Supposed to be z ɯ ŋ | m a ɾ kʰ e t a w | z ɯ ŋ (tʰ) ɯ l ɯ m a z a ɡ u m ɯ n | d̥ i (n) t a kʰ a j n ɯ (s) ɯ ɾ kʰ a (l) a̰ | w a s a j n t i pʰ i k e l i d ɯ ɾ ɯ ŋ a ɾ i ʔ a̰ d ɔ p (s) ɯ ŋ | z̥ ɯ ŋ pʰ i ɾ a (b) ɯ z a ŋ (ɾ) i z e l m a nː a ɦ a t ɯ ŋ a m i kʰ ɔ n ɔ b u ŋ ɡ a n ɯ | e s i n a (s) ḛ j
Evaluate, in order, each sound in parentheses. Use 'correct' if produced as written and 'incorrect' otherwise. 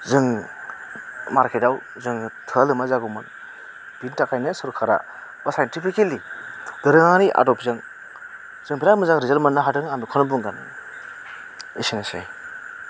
correct, correct, correct, incorrect: ɾ, incorrect: z, incorrect: m, correct, correct

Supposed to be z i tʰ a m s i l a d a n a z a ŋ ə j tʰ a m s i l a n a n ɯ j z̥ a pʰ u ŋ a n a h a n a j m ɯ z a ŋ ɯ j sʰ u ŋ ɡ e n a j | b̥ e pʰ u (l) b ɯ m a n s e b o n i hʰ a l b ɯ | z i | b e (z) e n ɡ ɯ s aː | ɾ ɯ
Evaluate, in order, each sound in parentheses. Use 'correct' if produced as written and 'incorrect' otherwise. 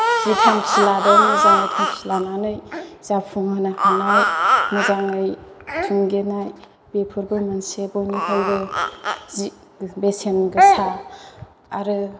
incorrect: ɾ, incorrect: s

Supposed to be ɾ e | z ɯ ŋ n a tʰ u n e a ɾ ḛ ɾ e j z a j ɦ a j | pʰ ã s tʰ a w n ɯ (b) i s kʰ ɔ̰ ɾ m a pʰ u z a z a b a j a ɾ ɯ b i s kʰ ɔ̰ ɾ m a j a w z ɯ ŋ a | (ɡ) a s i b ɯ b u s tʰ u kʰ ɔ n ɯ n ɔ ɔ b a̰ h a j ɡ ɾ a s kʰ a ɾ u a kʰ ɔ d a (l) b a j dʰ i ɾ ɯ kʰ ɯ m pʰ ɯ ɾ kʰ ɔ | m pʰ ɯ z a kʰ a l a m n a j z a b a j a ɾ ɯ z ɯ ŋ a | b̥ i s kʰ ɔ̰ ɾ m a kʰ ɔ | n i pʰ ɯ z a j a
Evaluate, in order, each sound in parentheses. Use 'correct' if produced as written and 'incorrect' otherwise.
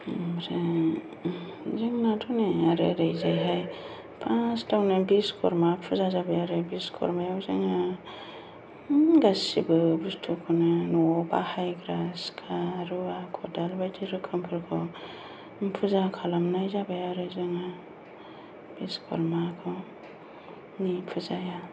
correct, correct, correct

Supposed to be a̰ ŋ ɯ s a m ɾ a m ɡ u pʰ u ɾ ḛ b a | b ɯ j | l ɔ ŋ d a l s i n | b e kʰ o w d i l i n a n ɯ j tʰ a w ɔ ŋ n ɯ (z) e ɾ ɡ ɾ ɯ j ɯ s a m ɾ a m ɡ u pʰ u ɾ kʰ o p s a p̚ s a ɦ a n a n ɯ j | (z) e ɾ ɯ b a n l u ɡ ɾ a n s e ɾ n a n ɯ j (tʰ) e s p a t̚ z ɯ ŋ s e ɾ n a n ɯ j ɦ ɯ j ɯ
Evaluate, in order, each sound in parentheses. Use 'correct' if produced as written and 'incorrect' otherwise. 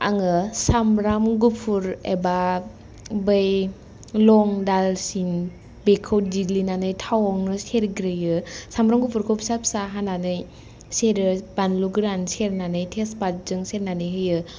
incorrect: s, incorrect: s, correct

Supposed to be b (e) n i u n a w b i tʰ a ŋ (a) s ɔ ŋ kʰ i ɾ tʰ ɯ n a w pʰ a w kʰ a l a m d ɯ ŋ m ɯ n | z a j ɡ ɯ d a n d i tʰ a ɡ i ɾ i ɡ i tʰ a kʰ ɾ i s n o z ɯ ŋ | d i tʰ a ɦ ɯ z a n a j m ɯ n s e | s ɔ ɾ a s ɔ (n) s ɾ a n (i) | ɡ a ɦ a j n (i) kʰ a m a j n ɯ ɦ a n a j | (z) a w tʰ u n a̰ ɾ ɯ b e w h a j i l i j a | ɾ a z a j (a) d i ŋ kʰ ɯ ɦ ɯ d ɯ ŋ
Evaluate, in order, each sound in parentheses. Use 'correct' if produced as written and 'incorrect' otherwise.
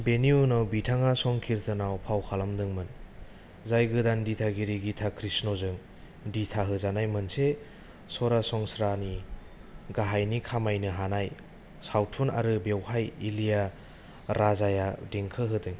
correct, correct, incorrect: ŋ, correct, correct, incorrect: s, correct

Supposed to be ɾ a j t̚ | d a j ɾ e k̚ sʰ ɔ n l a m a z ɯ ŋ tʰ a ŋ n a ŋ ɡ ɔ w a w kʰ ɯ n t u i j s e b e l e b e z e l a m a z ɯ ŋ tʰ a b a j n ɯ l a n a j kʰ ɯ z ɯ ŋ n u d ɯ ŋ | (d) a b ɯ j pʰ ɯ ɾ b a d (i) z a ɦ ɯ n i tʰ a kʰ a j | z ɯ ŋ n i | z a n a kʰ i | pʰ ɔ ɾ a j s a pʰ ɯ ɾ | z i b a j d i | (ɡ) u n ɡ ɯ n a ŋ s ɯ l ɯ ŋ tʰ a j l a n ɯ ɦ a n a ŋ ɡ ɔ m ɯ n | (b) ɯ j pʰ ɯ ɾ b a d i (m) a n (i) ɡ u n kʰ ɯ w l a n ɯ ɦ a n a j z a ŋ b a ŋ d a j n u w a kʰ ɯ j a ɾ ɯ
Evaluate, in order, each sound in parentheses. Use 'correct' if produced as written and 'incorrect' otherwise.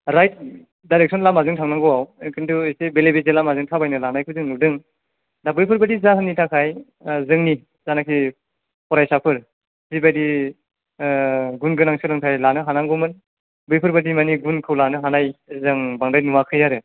correct, correct, correct, correct, correct, correct

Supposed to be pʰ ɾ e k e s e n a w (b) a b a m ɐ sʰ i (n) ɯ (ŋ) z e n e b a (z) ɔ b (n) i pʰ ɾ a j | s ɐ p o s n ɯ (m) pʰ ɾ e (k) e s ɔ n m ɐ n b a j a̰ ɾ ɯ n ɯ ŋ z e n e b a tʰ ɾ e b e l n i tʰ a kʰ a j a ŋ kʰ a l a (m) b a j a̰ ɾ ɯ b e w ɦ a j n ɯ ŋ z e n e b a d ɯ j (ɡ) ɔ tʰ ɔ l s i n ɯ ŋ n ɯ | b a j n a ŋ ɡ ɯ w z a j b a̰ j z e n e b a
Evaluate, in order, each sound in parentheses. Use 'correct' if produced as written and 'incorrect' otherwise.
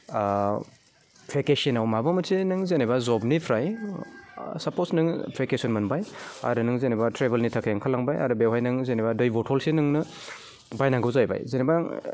incorrect: m, correct, correct, correct, correct, incorrect: ŋ, correct, incorrect: ŋ, incorrect: b

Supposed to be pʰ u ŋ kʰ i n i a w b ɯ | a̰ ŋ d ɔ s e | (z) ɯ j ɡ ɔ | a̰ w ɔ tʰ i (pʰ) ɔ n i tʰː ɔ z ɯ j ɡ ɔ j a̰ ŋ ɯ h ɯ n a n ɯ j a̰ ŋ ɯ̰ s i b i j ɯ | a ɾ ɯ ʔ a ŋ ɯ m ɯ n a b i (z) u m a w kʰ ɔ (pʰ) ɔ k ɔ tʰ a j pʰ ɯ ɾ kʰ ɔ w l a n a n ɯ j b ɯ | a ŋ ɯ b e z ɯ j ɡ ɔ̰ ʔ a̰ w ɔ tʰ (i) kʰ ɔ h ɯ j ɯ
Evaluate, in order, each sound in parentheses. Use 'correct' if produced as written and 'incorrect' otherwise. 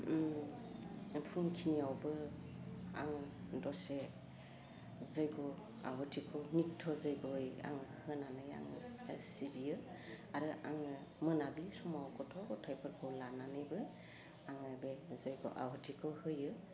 correct, incorrect: kʰ, incorrect: s, incorrect: tʰ, correct

